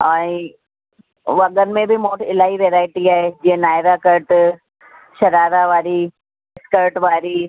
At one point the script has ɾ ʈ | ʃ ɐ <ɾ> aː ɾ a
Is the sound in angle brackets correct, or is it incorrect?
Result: correct